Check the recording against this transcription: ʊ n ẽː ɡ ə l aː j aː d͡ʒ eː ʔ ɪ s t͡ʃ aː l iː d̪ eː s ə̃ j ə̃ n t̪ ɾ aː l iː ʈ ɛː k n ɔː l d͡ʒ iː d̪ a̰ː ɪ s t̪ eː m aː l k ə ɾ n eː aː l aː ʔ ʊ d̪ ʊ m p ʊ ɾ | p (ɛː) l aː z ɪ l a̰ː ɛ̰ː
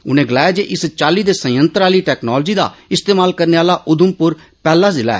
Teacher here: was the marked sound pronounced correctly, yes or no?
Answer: yes